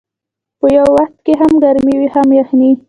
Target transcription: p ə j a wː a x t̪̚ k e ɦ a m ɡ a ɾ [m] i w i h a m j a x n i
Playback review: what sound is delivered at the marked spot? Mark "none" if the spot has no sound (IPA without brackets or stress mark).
m